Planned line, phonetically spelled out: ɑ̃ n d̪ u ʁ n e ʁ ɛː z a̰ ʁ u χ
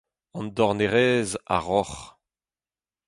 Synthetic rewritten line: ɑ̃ n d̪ ɔ ʁ n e ʁ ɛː z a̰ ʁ ɔ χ